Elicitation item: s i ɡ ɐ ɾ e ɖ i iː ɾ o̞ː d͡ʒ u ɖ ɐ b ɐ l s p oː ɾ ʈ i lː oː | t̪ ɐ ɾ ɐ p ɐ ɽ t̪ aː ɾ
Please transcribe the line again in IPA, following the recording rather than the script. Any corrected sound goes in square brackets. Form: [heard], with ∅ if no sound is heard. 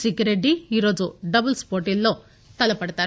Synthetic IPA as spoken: s i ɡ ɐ ɾ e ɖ i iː ɾ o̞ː d͡ʒ u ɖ ɐ b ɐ l s p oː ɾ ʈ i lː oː | t̪ ɐ [l] ɐ p ɐ ɽ t̪ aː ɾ